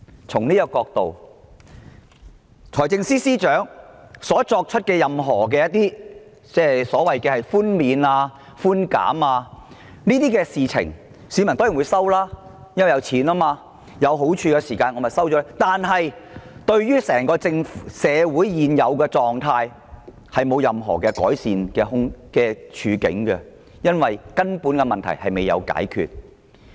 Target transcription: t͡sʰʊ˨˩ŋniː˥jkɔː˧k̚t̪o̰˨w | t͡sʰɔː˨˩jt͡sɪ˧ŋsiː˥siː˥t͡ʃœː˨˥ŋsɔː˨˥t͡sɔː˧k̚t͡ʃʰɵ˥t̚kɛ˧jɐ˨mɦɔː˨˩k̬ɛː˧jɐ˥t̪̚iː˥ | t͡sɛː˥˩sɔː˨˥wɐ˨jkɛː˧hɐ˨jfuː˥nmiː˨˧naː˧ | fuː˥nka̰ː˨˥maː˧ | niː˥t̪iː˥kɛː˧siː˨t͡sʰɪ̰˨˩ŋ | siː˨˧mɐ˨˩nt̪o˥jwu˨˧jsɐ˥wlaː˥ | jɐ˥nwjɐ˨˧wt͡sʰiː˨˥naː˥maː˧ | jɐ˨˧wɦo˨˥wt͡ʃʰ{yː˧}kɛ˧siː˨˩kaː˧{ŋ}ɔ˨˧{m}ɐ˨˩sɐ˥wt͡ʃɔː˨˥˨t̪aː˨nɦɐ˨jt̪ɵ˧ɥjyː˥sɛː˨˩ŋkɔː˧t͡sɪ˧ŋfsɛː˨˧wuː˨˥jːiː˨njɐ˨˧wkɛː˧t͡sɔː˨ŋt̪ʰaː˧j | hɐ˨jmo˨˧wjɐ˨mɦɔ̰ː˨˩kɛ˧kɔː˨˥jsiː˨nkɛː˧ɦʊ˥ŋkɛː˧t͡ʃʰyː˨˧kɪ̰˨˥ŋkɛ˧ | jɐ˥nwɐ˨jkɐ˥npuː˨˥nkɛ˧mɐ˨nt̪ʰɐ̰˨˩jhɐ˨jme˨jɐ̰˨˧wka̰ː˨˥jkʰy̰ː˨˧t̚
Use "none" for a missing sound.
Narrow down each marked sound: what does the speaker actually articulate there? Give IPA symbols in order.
yː˧, n, m

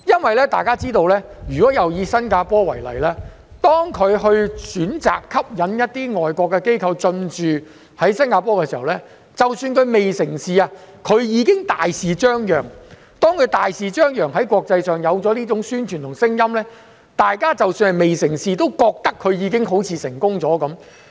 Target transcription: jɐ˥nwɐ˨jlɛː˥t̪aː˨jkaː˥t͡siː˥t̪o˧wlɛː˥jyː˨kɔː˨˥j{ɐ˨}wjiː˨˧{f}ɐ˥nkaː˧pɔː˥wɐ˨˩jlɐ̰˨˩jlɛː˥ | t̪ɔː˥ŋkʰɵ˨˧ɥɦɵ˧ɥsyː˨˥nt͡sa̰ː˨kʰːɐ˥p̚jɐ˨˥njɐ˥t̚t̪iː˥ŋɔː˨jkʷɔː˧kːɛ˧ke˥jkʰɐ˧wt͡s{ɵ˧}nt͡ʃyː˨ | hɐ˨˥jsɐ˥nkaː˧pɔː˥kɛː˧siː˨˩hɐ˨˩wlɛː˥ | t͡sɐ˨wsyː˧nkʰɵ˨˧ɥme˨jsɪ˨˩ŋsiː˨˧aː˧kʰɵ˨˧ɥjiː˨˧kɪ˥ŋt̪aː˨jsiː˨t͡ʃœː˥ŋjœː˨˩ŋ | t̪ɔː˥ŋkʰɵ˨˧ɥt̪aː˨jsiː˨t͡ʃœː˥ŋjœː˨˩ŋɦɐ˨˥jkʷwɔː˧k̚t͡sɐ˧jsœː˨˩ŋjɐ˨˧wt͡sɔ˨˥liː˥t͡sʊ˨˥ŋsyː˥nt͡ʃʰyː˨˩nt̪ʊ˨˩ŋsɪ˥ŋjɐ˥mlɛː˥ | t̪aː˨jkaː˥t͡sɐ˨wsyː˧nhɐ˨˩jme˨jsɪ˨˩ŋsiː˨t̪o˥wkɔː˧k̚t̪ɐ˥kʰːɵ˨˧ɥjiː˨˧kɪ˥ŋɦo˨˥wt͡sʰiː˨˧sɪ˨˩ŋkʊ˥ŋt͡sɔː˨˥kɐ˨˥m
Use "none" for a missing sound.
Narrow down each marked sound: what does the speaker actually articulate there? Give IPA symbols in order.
ɐ˨, s, ɵ˧

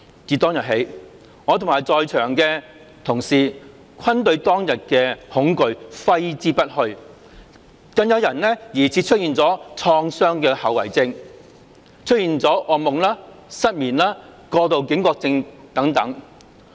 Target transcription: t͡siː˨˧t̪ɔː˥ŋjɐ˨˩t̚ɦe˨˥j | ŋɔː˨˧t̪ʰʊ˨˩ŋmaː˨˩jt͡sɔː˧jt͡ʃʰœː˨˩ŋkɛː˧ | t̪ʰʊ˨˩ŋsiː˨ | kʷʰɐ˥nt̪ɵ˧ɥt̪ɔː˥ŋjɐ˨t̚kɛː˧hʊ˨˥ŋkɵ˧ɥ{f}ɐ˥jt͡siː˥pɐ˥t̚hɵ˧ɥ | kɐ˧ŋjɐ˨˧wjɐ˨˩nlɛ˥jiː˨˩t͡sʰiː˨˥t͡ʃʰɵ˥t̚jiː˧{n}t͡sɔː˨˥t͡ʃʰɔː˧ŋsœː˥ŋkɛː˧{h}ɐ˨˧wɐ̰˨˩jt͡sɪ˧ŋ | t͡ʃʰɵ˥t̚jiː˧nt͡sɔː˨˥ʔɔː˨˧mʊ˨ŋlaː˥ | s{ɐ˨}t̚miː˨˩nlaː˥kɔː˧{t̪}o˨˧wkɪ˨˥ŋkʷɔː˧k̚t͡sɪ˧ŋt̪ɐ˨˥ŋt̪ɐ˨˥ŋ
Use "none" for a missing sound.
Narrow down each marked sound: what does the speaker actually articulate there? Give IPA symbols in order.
f, n, h, ɐ˥, t̪

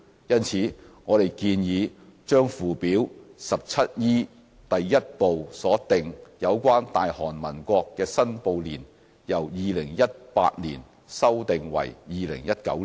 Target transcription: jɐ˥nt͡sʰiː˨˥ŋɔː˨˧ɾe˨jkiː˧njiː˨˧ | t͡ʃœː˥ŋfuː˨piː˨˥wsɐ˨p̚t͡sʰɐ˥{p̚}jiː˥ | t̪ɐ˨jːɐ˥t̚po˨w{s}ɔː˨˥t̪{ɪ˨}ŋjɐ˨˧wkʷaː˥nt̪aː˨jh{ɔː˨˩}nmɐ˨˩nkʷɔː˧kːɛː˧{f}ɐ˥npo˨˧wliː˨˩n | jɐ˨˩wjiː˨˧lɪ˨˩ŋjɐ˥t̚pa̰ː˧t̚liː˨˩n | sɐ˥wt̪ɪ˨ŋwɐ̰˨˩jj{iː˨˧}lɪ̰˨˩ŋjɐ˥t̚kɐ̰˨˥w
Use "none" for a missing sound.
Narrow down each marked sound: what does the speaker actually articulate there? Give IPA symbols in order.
t̚, s, ɪ˨, ɔː˨˩, s, iː˨˧

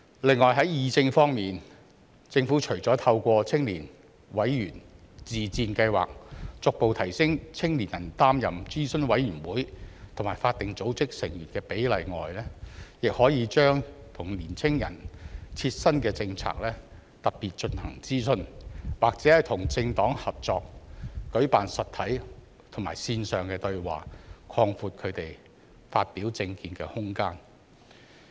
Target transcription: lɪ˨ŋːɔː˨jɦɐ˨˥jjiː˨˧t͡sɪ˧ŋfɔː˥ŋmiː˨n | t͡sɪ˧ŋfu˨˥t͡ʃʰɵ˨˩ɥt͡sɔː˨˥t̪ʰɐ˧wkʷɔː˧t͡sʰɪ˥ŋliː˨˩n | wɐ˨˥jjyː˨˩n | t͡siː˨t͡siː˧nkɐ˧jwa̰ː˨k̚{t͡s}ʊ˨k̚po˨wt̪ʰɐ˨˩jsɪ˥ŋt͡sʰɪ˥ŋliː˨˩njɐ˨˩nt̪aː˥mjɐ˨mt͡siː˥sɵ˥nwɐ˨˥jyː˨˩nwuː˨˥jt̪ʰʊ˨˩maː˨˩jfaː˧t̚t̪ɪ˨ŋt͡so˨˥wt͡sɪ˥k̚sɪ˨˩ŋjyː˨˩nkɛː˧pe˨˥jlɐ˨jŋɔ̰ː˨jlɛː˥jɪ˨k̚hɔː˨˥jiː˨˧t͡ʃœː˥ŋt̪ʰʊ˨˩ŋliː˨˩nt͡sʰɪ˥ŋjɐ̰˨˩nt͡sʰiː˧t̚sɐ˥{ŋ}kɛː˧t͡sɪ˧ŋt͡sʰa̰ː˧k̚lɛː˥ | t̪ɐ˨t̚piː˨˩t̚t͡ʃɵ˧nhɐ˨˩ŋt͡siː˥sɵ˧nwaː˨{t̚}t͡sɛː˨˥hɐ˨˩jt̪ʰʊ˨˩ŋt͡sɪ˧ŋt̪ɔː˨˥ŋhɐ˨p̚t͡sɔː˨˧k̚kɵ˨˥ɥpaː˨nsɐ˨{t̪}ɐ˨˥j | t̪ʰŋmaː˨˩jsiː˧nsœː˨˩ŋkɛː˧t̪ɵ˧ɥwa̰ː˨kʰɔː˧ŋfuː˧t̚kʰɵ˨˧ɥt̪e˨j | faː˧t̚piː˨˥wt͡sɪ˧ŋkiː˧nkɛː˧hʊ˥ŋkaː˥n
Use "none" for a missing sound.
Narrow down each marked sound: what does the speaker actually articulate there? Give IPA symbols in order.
t͡s, n, k̚, t̪ʰ

